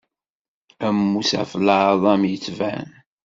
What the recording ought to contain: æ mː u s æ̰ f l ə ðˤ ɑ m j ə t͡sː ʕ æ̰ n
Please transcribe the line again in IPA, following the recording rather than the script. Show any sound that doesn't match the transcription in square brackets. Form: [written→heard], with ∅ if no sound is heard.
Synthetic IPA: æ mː u s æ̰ f l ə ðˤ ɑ m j ə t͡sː [ʕ→v] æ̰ n

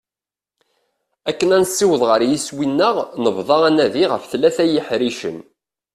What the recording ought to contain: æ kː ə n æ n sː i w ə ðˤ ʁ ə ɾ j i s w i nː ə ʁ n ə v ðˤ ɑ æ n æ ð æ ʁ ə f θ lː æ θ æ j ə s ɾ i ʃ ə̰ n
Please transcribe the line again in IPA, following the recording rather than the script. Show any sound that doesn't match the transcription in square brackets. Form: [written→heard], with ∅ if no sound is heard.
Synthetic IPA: æ kː ə n æ n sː i w ə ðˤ ʁ ə ɾ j i s w i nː ə ʁ n ə v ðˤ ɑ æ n æ ð [æ→i] ʁ ə f θ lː æ θ æ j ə [s→ħ] ɾ i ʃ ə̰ n

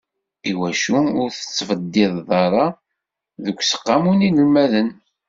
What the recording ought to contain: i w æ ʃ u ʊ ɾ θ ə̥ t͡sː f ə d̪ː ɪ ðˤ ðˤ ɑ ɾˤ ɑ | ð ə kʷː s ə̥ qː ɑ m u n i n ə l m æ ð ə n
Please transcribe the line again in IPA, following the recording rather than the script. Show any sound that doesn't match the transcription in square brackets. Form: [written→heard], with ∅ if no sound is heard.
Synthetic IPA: i w æ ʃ u ʊ ɾ θ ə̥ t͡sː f ə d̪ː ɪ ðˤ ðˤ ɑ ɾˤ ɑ | ð ə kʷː s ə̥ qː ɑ m u n i n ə l m æ ð ə n

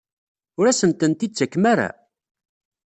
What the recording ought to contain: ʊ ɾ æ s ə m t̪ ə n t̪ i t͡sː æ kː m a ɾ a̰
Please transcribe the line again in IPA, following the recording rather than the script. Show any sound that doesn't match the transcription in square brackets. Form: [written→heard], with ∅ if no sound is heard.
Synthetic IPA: ʊ ɾ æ s ə m t̪ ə n t̪ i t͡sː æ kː m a ɾ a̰

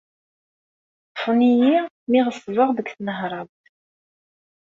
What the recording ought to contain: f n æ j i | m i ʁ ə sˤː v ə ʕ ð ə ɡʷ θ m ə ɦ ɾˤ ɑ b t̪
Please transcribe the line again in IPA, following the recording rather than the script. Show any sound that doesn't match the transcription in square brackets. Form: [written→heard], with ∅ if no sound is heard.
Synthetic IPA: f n [æ→i] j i | m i ʁ ə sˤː v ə [ʕ→ʁ] ð ə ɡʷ θ [m→n] ə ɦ ɾˤ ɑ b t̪

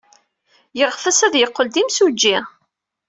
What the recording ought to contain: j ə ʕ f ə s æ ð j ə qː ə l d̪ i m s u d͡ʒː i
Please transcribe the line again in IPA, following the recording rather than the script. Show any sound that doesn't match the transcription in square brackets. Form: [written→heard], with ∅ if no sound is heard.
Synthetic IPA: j ə [ʕ→ʁ] f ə s æ ð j ə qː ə l d̪ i m s u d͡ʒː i

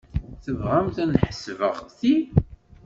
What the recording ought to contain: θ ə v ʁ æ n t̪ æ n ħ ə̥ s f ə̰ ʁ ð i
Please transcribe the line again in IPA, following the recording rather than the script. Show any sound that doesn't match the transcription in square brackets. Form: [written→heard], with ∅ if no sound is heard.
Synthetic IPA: θ ə v ʁ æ [n→m] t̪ æ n ħ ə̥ s [f→v] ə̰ ʁ [ð→θ] i

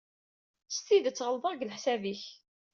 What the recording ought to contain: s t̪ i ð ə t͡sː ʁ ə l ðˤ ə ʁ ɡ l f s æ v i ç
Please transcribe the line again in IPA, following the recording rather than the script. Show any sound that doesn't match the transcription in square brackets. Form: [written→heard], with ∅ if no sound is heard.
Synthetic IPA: s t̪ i ð ə t͡sː ʁ ə l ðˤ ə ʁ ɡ l [f→ħ] s æ v i ç

